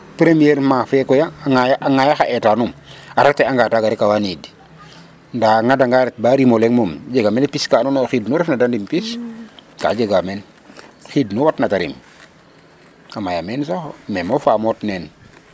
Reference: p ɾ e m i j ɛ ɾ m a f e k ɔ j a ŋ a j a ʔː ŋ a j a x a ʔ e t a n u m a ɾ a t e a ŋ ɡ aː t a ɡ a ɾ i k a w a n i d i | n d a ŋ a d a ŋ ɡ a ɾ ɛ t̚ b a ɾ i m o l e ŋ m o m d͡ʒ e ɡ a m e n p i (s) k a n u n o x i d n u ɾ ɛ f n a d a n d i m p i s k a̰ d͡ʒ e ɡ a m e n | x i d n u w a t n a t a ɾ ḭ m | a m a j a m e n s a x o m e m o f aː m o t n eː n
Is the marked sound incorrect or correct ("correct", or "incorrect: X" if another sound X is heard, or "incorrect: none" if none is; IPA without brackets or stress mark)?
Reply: correct